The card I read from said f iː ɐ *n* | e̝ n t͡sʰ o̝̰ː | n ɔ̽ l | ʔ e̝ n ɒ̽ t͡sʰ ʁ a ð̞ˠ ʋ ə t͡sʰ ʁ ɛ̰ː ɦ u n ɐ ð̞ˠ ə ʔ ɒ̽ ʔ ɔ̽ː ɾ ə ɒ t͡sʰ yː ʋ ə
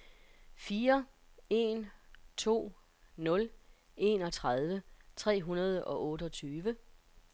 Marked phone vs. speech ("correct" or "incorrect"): incorrect